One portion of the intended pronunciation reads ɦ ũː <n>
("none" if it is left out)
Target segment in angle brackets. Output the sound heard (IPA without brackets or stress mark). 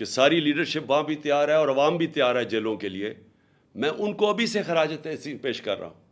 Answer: none